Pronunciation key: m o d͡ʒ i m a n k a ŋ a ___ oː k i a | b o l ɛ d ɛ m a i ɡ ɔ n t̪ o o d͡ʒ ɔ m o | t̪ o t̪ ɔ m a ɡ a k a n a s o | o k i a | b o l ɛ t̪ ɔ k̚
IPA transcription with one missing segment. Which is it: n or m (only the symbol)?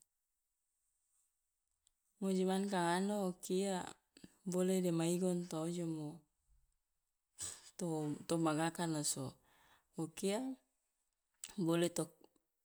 n